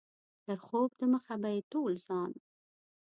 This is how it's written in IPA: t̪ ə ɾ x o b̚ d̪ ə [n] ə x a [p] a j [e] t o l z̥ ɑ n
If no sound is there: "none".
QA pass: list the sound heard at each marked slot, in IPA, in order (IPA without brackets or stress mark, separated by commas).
m, b, e